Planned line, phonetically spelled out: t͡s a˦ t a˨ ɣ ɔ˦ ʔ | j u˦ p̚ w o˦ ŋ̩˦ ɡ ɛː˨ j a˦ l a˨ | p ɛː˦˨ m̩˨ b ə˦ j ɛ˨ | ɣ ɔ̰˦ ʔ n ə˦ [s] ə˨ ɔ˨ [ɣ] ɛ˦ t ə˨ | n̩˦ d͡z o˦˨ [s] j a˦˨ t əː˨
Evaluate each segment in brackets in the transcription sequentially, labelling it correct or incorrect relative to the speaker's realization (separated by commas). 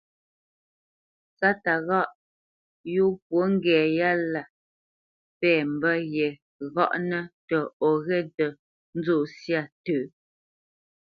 incorrect, correct, correct